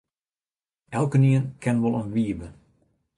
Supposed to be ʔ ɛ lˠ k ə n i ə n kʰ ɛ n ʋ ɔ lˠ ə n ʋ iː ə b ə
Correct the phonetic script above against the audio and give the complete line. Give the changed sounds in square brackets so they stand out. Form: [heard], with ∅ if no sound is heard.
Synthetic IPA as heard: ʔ ɛ lˠ k ə n i ə n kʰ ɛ n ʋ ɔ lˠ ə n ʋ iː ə b ə